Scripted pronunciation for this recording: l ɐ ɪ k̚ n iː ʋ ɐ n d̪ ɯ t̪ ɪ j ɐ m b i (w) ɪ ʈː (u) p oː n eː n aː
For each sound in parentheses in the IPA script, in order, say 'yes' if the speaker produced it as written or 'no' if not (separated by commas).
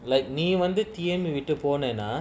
no, no